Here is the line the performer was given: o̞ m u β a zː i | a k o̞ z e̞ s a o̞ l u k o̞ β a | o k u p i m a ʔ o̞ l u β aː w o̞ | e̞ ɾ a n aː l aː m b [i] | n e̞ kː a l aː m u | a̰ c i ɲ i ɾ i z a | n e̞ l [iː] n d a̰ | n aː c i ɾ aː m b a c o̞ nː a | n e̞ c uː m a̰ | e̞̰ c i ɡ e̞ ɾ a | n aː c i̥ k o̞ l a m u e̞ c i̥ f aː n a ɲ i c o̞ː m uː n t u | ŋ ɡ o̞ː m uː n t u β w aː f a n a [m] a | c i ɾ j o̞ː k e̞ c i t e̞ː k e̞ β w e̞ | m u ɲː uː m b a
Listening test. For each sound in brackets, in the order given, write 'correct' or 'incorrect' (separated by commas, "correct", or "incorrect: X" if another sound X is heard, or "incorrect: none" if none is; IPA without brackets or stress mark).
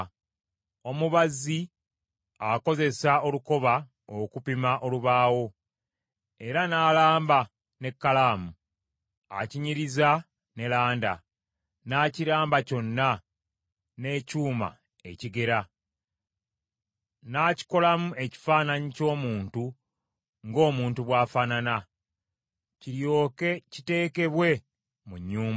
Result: incorrect: a, incorrect: aː, incorrect: n